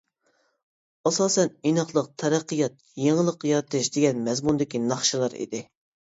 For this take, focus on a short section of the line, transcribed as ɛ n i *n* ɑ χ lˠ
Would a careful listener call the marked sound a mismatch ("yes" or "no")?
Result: no